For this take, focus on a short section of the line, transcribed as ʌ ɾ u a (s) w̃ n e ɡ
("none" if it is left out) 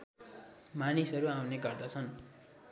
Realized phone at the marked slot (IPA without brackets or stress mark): none